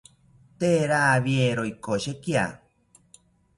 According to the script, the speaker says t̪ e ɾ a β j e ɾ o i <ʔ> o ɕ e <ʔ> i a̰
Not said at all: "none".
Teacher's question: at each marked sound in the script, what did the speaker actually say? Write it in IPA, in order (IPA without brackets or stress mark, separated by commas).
k, k